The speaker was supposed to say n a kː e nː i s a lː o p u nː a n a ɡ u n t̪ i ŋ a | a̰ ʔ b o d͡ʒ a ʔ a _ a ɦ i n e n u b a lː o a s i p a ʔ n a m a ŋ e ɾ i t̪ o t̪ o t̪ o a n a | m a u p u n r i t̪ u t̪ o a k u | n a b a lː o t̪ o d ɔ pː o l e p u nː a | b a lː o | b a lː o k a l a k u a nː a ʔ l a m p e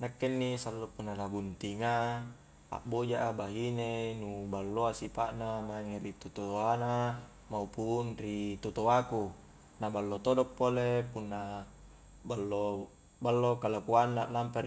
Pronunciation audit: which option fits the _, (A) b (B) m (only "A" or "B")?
A